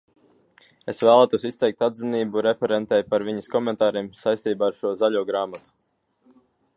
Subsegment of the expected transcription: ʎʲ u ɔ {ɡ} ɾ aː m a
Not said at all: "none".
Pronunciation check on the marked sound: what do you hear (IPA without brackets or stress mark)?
ɡ